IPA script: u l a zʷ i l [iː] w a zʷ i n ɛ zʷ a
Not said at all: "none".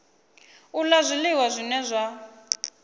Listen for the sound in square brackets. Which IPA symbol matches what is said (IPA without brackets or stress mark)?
i